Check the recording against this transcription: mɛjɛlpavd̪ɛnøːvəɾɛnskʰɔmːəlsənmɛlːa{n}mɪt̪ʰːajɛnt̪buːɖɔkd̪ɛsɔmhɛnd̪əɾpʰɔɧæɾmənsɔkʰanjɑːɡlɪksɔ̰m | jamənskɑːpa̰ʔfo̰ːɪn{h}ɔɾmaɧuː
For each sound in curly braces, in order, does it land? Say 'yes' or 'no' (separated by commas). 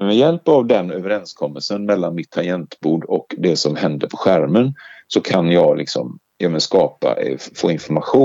yes, no